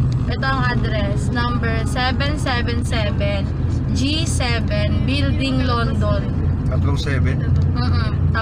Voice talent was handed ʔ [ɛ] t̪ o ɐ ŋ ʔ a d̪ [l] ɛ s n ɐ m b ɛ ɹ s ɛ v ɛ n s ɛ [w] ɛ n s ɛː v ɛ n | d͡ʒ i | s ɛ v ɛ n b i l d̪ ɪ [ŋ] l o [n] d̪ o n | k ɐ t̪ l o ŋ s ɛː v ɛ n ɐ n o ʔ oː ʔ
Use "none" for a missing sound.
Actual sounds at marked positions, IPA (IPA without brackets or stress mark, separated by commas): ɛ, ɾ, v, ŋ, n